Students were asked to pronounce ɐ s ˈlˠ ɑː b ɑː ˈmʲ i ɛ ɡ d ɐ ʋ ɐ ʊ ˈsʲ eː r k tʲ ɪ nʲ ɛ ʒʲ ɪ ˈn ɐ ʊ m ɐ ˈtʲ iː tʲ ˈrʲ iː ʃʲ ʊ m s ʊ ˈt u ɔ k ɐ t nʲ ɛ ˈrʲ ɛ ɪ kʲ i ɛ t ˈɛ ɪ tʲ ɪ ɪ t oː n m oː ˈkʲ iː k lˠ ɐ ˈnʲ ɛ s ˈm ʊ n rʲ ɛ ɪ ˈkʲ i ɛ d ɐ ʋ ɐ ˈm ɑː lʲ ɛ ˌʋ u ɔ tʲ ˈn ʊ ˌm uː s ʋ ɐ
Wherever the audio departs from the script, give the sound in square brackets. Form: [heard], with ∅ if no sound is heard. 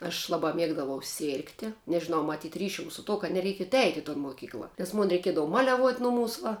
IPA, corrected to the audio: ɐ [ʃ] ˈlˠ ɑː b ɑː ˈmʲ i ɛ ɡ d ɐ ʋ ɐ ʊ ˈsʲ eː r k tʲ ɪ nʲ ɛ ʒʲ ɪ ˈn ɐ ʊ m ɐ ˈtʲ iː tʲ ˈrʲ iː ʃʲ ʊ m s ʊ ˈt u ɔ k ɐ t nʲ ɛ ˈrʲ ɛ ɪ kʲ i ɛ t ˈɛ ɪ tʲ ɪ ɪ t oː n m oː ˈkʲ iː k lˠ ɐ ˈnʲ ɛ s ˈm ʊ n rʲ ɛ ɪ ˈkʲ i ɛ d ɐ ʋ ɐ ˈm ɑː lʲ ɛ ˌʋ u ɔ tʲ ˈn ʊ ˌm uː s ʋ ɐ

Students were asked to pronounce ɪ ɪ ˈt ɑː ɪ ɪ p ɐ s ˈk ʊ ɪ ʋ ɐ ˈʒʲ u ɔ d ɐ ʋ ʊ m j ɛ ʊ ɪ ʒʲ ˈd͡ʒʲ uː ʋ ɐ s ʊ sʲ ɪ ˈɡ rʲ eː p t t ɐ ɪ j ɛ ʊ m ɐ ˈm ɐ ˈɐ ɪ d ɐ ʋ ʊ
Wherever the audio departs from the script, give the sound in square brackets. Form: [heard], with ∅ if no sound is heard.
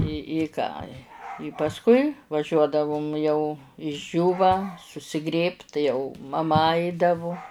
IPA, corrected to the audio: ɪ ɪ [ˈk] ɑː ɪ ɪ p ɐ s ˈk ʊ ɪ ʋ ɐ ˈʒʲ u ɔ d ɐ ʋ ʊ m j ɛ ʊ ɪ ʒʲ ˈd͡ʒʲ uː ʋ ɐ s ʊ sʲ ɪ ˈɡ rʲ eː p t t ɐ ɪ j ɛ ʊ m ɐ ˈm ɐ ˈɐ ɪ d ɐ ʋ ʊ

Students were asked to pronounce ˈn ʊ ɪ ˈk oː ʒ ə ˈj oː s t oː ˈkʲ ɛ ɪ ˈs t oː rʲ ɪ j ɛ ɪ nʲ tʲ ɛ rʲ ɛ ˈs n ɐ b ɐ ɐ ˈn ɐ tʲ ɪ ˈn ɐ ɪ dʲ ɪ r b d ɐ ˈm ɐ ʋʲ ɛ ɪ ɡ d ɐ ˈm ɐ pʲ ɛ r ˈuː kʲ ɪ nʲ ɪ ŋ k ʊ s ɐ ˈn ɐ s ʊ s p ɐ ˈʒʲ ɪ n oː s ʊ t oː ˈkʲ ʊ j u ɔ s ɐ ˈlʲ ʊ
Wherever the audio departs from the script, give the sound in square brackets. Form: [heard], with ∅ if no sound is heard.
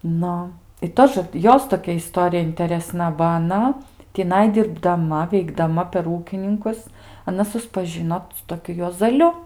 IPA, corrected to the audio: ˈn ʊ ɪ [ˈt] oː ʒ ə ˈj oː s t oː ˈkʲ ɛ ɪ ˈs t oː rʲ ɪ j ɛ ɪ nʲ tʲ ɛ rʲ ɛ ˈs n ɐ b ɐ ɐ ˈn ɐ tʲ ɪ ˈn ɐ ɪ dʲ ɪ r b d ɐ ˈm ɐ ʋʲ ɛ ɪ ɡ d ɐ ˈm ɐ pʲ ɛ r ˈuː kʲ ɪ nʲ ɪ ŋ k ʊ s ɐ ˈn ɐ s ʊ s p ɐ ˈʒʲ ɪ n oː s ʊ t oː ˈkʲ ʊ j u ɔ [z] ɐ ˈlʲ ʊ

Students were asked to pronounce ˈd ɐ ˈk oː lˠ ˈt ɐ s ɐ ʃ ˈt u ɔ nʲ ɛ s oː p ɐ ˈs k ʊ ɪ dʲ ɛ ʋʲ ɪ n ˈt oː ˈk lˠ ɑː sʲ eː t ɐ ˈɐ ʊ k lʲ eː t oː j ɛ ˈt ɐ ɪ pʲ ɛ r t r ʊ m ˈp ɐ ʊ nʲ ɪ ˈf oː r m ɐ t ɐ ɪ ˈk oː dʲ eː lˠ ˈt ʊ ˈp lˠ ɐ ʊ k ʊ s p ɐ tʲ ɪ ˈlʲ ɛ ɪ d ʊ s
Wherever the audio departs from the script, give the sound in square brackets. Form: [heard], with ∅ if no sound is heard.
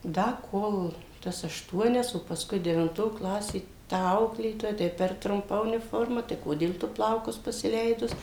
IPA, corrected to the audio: ˈd ɐ ˈk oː lˠ ˈt ɐ s ɐ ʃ ˈt u ɔ nʲ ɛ s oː p ɐ ˈs k ʊ ɪ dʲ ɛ ʋʲ ɪ n ˈt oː ˈk lˠ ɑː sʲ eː t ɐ ˈɐ ʊ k lʲ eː t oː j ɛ ˈt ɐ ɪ pʲ ɛ r t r ʊ m ˈp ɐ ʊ nʲ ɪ ˈf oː r m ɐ t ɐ ɪ ˈk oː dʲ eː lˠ ˈt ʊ ˈp lˠ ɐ ʊ k ʊ s p ɐ [sʲ] ɪ ˈlʲ ɛ ɪ d ʊ s

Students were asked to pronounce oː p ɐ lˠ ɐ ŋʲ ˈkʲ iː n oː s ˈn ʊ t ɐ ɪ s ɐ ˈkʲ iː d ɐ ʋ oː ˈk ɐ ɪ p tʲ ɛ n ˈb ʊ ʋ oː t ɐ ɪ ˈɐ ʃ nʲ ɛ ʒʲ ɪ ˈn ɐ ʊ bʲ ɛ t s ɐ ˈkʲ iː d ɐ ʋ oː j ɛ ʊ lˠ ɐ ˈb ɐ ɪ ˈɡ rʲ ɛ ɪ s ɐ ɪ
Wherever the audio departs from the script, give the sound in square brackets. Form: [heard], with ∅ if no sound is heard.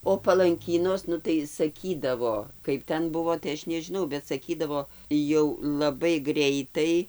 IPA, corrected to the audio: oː p ɐ lˠ ɐ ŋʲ ˈkʲ iː n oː s ˈn ʊ t ɐ ɪ s ɐ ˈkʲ iː d ɐ ʋ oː ˈk ɐ ɪ p tʲ ɛ n ˈb ʊ ʋ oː t ɐ ɪ ˈɐ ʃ nʲ ɛ ʒʲ ɪ ˈn ɐ ʊ bʲ ɛ t s ɐ ˈkʲ iː d ɐ ʋ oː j ɛ ʊ lˠ ɐ ˈb ɐ ɪ ˈɡ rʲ ɛ ɪ [t] ɐ ɪ

